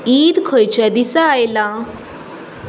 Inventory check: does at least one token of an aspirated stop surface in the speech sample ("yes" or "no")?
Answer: yes